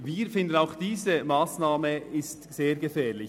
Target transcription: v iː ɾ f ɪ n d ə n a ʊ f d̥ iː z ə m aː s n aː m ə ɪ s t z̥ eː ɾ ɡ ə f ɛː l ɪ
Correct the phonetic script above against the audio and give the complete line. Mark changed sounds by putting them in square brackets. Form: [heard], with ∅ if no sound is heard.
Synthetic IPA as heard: v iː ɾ f ɪ n d ə n a ʊ [x] d̥ iː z ə m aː s n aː m ə ɪ s t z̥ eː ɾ ɡ ə f ɛː l ɪ